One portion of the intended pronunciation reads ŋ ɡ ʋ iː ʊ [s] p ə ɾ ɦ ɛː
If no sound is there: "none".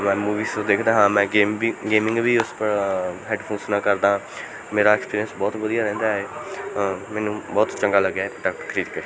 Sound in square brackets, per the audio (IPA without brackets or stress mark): s